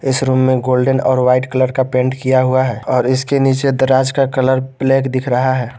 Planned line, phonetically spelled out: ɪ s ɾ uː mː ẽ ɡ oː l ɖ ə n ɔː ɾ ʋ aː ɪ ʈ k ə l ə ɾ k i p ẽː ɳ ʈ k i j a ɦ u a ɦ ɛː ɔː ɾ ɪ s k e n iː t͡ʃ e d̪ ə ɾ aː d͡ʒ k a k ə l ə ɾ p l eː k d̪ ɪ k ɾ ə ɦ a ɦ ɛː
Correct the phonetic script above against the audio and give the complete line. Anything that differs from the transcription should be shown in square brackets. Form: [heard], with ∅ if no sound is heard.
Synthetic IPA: ɪ s ɾ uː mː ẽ ɡ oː l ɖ ə n ɔː ɾ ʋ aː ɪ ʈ k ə l ə ɾ k [a] p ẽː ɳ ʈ k i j a ɦ u a ɦ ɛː ɔː ɾ ɪ s k e n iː t͡ʃ e d̪ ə ɾ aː d͡ʒ k a k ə l ə ɾ p l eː k d̪ ɪ [kʰ] ɾ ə ɦ a ɦ ɛː